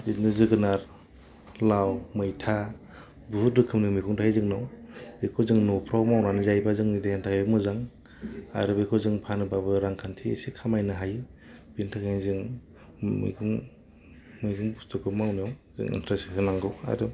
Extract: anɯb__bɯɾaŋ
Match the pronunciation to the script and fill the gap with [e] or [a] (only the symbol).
a